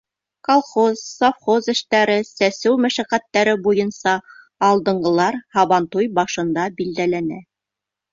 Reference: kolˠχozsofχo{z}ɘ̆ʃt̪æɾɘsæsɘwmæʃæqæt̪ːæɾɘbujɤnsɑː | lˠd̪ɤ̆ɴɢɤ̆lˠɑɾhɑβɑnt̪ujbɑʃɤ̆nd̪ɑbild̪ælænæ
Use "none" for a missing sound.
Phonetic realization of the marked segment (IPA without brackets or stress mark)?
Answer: z